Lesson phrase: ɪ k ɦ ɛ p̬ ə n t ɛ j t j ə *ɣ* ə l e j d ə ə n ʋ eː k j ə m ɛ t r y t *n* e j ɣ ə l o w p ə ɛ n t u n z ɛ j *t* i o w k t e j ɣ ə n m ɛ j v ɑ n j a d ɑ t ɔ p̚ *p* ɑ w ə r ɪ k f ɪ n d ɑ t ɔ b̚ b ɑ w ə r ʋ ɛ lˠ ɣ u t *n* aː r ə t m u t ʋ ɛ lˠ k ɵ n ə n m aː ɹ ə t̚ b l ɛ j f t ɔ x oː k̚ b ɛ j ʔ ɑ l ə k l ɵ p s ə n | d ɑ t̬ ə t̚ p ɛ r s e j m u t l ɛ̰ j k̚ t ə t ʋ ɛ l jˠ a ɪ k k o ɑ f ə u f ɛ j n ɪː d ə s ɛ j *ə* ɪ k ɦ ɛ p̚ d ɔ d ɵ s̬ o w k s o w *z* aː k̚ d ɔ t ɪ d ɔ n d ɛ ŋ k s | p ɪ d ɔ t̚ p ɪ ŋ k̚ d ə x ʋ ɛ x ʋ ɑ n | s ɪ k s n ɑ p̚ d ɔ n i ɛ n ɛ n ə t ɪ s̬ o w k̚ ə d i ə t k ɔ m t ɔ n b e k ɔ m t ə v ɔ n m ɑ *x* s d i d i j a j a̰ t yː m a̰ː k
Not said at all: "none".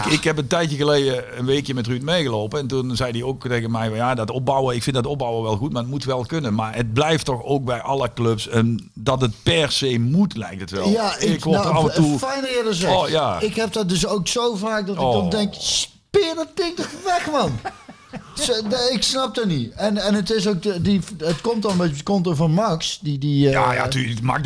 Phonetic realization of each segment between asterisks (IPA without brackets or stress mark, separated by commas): ɣ, m, d, b, m, a, v, k